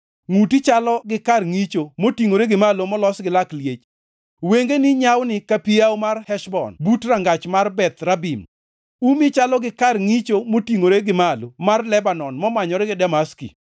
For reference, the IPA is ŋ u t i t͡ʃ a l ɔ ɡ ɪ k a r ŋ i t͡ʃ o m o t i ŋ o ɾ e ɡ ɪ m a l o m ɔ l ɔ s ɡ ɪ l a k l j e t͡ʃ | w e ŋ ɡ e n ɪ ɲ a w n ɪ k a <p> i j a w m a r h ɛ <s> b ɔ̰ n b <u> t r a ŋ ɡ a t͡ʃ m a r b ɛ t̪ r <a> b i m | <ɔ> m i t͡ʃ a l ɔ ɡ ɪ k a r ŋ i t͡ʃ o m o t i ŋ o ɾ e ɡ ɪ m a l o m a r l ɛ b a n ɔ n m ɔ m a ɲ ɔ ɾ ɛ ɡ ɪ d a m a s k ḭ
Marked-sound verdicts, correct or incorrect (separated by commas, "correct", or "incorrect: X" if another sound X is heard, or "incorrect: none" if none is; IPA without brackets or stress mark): correct, incorrect: ʃ, correct, correct, incorrect: u